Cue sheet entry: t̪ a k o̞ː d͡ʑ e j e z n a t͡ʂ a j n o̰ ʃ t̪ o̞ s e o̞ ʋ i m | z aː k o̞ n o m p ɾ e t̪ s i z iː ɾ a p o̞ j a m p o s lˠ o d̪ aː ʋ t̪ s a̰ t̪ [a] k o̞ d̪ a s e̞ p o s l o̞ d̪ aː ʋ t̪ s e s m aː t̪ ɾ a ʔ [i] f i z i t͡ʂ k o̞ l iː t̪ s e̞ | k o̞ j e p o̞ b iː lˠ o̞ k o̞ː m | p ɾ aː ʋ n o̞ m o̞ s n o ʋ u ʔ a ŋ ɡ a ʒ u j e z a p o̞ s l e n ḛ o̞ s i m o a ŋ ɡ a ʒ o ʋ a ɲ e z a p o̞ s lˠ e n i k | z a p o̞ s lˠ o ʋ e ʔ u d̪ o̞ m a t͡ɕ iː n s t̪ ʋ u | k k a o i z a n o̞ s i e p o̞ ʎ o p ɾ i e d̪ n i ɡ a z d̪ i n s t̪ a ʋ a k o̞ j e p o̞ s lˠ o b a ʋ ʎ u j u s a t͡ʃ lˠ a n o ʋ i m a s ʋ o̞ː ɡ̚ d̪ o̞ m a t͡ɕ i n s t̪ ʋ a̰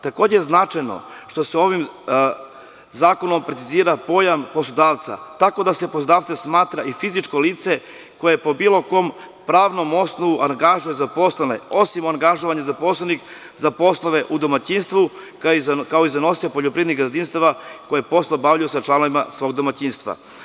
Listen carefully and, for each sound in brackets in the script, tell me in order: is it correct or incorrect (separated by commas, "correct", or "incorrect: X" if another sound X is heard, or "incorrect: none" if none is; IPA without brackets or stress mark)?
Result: correct, correct